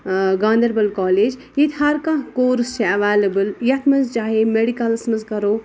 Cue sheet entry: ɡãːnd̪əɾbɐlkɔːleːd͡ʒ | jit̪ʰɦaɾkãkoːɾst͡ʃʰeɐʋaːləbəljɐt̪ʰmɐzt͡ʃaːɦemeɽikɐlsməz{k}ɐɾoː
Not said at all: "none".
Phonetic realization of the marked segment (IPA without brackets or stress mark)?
k